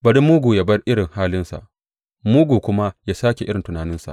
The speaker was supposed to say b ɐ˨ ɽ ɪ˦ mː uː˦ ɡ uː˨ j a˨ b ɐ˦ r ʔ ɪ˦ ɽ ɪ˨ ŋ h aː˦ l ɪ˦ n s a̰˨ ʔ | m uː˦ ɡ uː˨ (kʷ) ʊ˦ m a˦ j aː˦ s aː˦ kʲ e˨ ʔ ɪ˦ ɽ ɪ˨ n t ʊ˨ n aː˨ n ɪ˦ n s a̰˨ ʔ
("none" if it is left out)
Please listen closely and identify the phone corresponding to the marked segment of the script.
kʷ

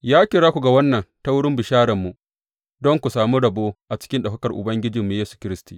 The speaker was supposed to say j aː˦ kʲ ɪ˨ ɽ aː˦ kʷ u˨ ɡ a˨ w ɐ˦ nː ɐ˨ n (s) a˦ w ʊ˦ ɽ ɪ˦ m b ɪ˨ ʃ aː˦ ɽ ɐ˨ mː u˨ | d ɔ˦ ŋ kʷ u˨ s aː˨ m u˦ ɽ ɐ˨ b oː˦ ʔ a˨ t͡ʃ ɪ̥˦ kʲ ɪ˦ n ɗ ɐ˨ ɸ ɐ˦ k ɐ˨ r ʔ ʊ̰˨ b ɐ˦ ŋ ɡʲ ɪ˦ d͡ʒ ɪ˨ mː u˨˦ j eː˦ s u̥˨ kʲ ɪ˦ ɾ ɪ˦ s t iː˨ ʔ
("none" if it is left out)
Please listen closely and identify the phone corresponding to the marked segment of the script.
t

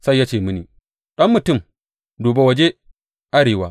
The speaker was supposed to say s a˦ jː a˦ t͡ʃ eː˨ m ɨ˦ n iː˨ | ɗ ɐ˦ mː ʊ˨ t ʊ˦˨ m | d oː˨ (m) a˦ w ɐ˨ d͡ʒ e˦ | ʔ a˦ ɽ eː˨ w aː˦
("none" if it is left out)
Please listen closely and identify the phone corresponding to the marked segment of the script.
b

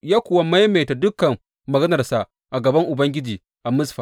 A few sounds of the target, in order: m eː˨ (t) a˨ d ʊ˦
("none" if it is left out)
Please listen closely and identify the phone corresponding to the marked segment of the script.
t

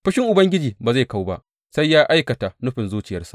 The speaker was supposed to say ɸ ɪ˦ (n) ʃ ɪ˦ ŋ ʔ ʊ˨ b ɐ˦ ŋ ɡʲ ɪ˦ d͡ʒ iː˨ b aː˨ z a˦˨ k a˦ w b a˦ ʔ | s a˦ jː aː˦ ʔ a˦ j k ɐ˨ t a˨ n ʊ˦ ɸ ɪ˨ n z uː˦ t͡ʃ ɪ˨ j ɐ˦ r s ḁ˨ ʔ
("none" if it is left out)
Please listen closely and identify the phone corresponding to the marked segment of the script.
none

